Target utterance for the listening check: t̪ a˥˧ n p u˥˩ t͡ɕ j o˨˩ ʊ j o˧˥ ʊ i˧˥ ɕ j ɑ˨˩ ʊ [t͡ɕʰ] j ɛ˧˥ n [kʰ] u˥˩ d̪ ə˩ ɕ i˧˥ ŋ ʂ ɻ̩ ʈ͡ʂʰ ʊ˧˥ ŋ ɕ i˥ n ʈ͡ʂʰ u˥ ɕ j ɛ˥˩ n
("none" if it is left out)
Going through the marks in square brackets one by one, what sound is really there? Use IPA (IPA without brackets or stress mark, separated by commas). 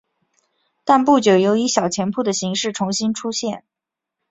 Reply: t͡ɕʰ, pʰ